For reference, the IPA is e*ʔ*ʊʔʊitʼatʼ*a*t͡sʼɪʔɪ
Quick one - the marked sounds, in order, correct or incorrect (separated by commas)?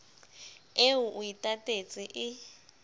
incorrect, incorrect